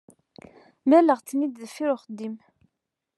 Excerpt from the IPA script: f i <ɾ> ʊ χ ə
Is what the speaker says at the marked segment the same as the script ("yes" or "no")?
yes